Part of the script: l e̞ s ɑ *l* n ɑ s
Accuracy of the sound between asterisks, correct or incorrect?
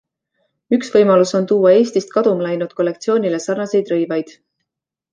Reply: incorrect